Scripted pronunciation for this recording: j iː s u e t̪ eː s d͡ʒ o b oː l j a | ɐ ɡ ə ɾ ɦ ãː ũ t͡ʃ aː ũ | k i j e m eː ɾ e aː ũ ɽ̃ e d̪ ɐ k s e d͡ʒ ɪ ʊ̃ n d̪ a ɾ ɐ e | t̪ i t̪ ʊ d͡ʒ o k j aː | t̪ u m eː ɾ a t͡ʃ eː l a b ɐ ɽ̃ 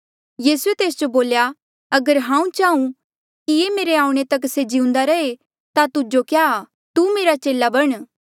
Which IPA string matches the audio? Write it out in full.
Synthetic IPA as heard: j iː s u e t̪ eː s d͡ʒ o b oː l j a | ɐ ɡ ə ɾ ɦ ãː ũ t͡ʃ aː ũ | k i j e m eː ɾ e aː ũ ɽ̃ e t̪ ɐ k s e d͡ʒ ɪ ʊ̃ n d̪ a ɾ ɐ e | t̪ a t̪ ʊ d͡ʒ o k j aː | t̪ u m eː ɾ a t͡ʃ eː l a b ɐ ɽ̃